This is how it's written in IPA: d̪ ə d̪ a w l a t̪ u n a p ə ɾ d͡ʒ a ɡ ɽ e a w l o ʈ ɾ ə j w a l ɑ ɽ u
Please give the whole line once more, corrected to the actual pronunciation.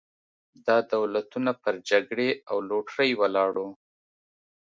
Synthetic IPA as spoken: d̪ ɑ d̪ a w l a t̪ u n a p ə ɾ d͡ʒ a ɡ ɽ e a w l o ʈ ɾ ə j w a l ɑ ɽ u